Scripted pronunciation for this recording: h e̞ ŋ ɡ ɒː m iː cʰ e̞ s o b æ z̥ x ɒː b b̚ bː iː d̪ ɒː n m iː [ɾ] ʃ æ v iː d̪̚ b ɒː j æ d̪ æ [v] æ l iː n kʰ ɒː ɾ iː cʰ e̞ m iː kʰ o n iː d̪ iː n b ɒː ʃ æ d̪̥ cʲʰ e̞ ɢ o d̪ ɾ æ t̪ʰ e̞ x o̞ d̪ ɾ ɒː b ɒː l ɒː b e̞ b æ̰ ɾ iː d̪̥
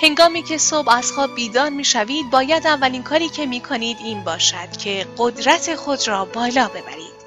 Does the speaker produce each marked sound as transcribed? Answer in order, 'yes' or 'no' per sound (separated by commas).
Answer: no, no